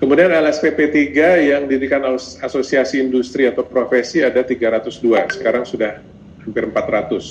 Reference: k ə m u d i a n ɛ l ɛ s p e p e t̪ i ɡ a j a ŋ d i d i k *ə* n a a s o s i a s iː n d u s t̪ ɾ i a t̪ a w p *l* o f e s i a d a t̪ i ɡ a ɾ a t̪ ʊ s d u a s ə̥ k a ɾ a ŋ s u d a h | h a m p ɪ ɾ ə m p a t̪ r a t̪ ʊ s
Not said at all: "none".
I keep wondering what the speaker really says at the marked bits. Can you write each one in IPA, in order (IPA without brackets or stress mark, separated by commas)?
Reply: a, ɾ